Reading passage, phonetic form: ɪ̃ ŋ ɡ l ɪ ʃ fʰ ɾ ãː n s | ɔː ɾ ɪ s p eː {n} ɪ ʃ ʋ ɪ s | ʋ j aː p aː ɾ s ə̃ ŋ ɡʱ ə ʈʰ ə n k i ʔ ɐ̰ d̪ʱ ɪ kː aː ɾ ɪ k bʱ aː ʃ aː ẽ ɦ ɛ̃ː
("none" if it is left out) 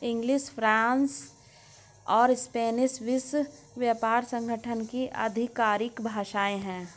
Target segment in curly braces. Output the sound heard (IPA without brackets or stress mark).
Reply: n